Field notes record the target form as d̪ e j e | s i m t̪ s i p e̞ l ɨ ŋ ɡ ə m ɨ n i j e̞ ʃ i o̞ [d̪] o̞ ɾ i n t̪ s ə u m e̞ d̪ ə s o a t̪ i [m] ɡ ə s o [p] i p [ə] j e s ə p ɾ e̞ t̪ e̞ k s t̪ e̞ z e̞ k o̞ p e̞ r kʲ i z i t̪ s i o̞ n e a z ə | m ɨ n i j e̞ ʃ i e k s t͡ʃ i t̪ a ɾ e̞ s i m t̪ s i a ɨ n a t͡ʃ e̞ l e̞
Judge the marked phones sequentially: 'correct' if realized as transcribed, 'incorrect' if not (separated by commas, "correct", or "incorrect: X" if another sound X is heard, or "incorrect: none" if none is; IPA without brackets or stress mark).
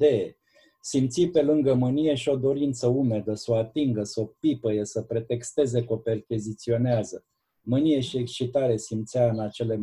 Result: correct, incorrect: ŋ, correct, correct